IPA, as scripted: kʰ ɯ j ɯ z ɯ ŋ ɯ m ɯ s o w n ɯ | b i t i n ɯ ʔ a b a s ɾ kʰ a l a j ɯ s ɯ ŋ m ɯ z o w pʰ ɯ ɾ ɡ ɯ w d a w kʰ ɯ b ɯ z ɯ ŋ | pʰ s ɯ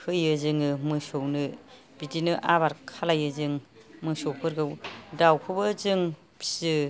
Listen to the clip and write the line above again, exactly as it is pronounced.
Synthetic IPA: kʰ ɯ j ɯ z ɯ ŋ ɯ m ɯ s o w n ɯ | b i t i n ɯ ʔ a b a ɾ kʰ a l a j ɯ z ɯ ŋ m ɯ s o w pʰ ɯ ɾ ɡ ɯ w d a w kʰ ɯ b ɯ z ɯ ŋ | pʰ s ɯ